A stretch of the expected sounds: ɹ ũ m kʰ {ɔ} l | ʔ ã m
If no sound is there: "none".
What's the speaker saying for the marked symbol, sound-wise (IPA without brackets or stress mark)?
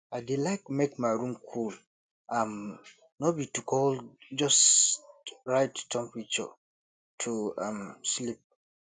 u